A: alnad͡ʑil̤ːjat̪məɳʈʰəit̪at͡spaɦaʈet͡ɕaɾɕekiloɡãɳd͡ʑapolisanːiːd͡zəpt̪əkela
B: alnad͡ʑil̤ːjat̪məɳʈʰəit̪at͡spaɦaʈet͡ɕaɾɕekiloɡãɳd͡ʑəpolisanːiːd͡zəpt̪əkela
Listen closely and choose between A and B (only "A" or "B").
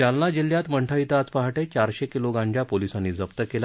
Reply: A